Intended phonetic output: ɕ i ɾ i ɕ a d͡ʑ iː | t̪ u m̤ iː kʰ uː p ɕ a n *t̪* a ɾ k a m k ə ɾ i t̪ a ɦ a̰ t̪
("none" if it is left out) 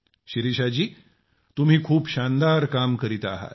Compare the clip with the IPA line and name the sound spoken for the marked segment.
d̪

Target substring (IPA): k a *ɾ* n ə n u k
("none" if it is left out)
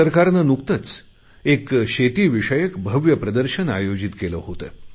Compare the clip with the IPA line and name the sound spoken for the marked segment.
ɾ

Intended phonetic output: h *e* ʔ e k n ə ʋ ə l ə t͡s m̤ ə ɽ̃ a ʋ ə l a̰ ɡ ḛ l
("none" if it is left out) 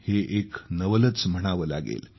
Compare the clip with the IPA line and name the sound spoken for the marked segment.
e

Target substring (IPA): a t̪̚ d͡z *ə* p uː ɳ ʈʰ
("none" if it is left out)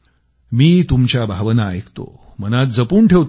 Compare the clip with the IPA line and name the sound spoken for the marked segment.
ə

